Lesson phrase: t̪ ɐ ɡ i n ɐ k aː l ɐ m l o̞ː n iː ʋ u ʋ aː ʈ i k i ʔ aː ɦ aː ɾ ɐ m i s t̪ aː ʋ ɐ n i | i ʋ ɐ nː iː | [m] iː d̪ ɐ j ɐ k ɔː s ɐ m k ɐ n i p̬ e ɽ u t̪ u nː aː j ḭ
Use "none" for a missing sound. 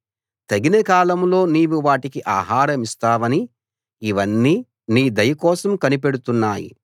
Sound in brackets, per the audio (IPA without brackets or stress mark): n